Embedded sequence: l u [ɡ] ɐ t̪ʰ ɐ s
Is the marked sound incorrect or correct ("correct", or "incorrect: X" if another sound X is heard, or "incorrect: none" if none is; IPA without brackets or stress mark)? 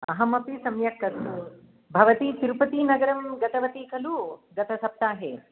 correct